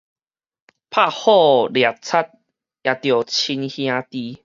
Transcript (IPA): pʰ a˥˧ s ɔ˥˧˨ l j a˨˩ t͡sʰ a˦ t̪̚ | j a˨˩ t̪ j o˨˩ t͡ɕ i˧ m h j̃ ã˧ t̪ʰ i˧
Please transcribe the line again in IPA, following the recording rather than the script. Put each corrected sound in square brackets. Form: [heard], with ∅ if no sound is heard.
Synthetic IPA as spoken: pʰ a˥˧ [h] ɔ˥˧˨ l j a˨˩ t͡sʰ a˦ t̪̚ | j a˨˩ t̪ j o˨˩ [t͡ɕʰ] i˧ [n] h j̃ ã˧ [t̪] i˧